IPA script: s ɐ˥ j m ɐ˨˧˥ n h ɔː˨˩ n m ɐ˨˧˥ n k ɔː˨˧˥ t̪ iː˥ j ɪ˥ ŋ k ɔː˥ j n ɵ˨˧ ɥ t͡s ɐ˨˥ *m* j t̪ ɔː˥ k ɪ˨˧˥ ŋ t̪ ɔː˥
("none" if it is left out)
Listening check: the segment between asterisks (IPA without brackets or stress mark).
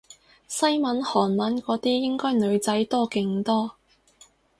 none